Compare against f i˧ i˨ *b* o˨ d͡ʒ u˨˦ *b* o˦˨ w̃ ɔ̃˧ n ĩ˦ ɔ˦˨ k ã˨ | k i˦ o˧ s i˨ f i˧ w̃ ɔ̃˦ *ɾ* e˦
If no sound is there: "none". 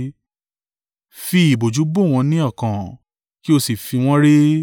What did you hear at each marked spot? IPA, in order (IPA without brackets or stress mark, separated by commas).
b, b, ɾ